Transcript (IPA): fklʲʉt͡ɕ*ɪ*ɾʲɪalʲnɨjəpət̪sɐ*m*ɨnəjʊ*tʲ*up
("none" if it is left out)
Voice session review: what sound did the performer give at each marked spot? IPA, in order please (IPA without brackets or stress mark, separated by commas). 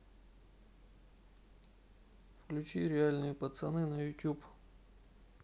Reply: i, n, tʲ